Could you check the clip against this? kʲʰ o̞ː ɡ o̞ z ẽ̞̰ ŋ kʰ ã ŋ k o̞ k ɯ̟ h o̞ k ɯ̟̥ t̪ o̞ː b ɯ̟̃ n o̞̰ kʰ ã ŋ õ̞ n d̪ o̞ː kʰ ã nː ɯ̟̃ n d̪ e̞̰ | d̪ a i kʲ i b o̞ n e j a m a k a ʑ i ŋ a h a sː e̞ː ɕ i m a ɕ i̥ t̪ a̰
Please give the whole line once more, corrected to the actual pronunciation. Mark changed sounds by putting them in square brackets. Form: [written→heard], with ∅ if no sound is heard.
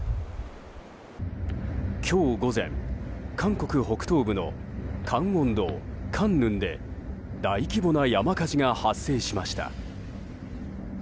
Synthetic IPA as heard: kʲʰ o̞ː ɡ o̞ z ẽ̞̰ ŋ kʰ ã ŋ k o̞ k ɯ̟ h o̞ k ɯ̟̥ t̪ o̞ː b [ɯ̟̃→ɯ̟] n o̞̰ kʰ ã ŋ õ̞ n d̪ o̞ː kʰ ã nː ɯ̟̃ n d̪ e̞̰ | d̪ a i kʲ i b o̞ n [e→a] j a m a k a ʑ i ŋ a h a sː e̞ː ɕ i m a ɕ i̥ t̪ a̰